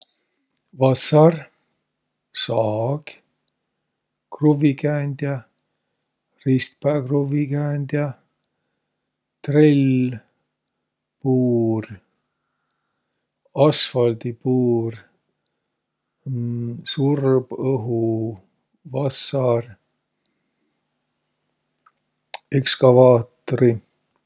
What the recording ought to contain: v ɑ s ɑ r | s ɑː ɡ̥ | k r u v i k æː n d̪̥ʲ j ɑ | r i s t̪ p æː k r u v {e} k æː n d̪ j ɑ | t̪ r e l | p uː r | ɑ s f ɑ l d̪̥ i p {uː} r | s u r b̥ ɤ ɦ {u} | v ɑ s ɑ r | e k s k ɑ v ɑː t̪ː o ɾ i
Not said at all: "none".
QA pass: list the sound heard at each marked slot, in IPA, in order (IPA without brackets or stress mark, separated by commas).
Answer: i, uː, u